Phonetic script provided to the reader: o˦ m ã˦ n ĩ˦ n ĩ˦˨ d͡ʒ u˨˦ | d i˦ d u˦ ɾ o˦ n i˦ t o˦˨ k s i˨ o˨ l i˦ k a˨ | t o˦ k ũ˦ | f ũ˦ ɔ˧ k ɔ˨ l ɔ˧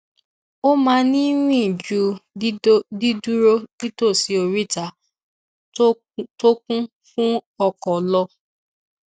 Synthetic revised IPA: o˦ m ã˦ n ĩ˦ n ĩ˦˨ d͡ʒ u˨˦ | d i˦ d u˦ ɾ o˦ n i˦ t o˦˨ s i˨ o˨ ɾ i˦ t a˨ | t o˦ k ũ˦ | f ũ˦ ɔ˧ k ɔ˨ l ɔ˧